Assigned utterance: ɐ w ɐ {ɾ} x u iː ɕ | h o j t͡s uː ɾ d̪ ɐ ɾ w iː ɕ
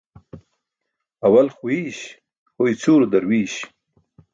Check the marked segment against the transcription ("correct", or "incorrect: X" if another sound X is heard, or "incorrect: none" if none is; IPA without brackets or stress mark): incorrect: l